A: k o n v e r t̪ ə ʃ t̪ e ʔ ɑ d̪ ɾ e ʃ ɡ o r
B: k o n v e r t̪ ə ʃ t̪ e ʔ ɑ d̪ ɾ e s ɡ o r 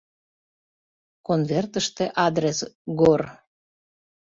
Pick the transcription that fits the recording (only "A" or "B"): B